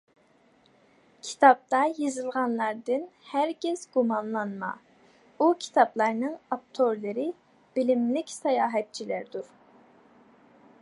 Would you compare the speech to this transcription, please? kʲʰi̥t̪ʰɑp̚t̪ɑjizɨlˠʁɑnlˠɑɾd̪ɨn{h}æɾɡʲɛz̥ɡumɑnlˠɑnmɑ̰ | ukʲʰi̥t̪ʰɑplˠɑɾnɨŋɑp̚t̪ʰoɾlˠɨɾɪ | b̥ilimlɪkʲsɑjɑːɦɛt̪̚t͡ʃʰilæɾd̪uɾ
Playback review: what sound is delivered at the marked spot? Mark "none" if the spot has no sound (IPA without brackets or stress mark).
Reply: h